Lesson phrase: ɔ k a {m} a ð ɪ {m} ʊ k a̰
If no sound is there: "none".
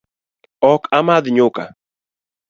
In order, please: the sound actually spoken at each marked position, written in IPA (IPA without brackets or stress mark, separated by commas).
m, ɲ